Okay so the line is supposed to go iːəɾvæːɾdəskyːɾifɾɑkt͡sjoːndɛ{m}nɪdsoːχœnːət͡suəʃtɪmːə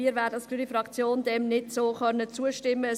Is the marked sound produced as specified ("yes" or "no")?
yes